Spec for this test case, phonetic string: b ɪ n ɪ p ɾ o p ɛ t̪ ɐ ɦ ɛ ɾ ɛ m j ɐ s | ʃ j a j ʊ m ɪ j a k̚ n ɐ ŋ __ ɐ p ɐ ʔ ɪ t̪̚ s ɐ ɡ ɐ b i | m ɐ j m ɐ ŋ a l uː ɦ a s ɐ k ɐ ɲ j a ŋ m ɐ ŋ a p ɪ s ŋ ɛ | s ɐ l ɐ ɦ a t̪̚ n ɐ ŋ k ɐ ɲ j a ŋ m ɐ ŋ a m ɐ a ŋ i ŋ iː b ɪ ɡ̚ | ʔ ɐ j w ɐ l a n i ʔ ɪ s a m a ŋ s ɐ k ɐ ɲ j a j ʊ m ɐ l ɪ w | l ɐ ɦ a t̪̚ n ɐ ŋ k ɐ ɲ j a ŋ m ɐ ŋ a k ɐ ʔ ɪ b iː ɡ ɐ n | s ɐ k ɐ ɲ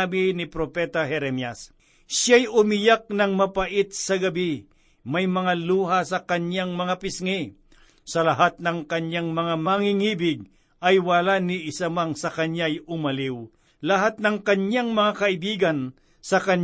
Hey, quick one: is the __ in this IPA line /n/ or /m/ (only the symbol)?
m